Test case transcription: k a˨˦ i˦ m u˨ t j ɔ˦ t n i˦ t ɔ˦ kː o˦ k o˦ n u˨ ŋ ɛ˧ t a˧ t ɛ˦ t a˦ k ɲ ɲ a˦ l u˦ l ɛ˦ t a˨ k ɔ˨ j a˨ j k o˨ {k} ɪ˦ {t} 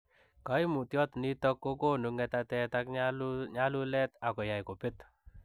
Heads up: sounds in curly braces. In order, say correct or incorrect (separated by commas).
incorrect, correct